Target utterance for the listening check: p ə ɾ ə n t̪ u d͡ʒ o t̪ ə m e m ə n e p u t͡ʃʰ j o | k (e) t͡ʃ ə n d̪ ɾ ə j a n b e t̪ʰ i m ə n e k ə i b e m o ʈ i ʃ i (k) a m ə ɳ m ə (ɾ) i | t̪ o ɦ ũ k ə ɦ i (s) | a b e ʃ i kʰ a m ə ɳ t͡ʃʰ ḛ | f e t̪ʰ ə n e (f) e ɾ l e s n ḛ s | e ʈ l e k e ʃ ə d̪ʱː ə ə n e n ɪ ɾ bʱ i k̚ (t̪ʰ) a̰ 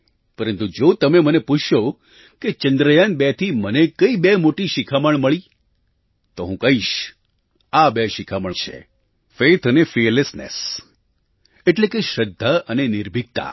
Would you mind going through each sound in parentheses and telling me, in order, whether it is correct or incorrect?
correct, incorrect: kʰ, incorrect: ɭ, incorrect: ʃ, correct, incorrect: t̪

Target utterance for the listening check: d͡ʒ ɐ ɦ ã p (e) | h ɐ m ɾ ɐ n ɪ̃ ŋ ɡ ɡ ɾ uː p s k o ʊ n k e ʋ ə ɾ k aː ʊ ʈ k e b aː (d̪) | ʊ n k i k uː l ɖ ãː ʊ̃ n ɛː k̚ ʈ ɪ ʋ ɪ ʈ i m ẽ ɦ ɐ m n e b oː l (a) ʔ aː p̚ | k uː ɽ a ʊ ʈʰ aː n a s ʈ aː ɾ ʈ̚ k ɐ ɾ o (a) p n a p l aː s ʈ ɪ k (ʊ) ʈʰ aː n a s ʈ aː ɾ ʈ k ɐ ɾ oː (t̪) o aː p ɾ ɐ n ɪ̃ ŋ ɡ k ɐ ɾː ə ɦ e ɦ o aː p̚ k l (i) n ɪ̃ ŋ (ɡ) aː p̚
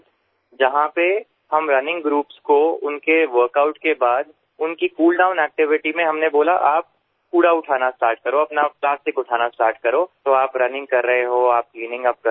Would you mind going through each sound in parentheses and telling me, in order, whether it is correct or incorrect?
correct, correct, correct, incorrect: ɐ, correct, correct, incorrect: iː, correct

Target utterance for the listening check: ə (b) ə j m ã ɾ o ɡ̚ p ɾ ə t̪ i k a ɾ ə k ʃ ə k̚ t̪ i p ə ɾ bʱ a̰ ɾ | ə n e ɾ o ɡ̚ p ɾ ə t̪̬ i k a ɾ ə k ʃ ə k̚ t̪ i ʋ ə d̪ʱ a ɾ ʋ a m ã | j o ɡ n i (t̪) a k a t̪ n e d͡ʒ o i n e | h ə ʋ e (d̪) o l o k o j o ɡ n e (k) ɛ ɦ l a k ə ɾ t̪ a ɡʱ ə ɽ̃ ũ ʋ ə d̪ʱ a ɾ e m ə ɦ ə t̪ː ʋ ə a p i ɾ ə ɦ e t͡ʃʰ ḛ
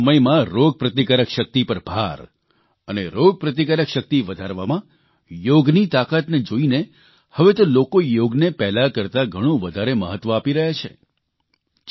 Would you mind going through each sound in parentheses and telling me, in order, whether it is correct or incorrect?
incorrect: m, correct, incorrect: t̪, incorrect: p

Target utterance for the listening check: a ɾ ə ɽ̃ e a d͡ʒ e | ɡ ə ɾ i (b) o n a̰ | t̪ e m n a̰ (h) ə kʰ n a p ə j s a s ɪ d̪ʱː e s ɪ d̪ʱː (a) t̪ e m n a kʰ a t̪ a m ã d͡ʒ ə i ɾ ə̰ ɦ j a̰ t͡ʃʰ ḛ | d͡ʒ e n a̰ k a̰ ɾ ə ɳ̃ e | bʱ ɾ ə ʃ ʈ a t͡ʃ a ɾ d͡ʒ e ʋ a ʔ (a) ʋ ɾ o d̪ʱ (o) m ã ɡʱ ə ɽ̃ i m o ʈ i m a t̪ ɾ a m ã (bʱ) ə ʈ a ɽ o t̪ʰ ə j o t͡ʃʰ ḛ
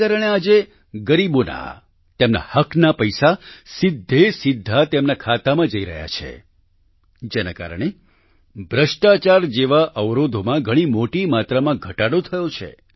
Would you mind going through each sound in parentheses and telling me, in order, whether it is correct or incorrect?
correct, correct, correct, incorrect: ə, correct, incorrect: ɡʱ

